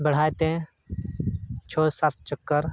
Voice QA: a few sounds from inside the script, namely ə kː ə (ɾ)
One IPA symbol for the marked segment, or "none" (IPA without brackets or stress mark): ɾ